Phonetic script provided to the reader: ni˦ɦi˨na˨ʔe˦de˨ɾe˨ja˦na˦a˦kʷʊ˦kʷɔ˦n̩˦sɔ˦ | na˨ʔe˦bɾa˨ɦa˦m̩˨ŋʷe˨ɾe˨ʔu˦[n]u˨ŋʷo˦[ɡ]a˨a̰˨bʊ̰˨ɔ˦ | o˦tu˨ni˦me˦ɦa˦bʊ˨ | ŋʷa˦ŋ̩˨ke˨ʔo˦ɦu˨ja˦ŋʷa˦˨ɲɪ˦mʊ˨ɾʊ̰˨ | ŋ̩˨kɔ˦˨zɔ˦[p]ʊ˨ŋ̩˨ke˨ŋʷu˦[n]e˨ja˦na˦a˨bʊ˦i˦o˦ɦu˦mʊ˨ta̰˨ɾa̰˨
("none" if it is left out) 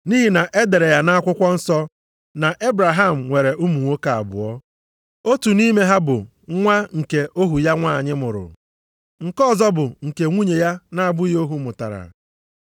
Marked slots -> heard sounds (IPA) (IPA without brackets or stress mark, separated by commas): m, k, b, ɲ